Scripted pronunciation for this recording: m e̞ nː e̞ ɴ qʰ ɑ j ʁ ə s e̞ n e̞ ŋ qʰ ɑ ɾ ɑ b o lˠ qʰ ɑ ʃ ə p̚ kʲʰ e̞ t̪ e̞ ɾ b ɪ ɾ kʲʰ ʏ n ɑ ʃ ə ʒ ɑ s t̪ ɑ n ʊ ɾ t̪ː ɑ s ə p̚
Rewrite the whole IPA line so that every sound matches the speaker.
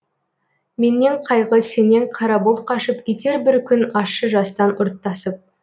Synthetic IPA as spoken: m e̞ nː e̞ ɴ qʰ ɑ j ʁ ə s e̞ n e̞ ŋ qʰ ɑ ɾ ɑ b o lˠ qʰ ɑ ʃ ə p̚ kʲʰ e̞ t̪ e̞ ɾ b ɪ ɾ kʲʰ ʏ n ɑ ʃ ə ʒ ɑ s t̪ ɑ n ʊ ɾ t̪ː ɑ s ə p̚